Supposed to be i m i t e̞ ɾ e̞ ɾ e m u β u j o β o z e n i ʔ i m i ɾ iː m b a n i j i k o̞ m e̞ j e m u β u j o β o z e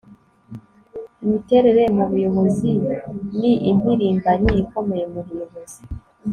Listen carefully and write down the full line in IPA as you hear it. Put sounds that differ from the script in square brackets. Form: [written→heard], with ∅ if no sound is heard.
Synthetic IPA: i m i t e̞ ɾ e̞ ɾ e m u β u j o β o z [e→i] n i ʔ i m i ɾ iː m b a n i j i k o̞ m e̞ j e m u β u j o β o z [e→i]